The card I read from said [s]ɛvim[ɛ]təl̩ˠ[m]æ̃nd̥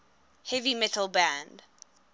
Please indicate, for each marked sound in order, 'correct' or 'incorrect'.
incorrect, correct, incorrect

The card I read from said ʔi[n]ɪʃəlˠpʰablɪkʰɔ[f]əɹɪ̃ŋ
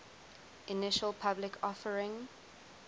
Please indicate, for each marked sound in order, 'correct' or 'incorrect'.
correct, correct

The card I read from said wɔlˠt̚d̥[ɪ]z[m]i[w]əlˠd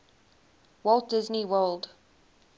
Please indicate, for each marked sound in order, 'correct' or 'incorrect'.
correct, incorrect, correct

